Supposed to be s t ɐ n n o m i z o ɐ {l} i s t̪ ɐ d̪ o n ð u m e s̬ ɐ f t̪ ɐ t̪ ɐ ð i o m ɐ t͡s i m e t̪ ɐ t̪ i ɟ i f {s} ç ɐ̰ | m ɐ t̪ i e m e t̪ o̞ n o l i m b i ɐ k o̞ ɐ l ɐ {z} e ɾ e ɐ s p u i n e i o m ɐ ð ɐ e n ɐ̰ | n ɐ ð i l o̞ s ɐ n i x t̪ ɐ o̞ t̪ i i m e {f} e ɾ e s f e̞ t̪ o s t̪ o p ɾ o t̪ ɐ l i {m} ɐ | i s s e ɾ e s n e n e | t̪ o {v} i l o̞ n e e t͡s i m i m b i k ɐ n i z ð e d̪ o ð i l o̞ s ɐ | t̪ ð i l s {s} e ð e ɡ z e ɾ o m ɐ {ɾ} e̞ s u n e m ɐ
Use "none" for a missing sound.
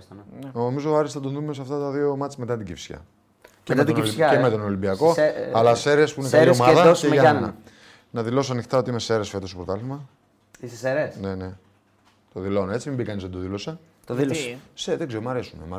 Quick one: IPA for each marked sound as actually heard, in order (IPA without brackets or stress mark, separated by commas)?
ɾ, s, s, s, m, ð, s, ɾ